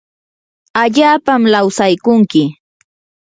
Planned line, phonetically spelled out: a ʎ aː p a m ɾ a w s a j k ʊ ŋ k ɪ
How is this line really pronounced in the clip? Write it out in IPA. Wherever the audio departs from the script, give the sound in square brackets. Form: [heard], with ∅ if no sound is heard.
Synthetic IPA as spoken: a ʎ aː p a m [l] a w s a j k ʊ ŋ k ɪ